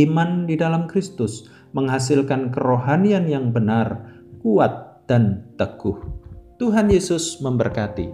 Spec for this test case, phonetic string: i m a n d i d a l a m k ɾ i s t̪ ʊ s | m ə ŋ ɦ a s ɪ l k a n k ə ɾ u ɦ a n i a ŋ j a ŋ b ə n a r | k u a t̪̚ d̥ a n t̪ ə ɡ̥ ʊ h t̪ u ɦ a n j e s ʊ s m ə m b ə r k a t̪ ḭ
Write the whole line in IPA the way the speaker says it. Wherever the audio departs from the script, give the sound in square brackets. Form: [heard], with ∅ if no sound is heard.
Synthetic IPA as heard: i m a n d i d a l a m k ɾ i s t̪ ʊ s | m ə ŋ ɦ a s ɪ l k a n k ə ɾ [o] ɦ a n i a [n] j a ŋ b ə n a r | k u a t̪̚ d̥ a n t̪ ə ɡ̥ ʊ h t̪ u ɦ a n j e s ʊ s m ə m b ə r k a t̪ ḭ